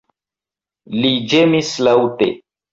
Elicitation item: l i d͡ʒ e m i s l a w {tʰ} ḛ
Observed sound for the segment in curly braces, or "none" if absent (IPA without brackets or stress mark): t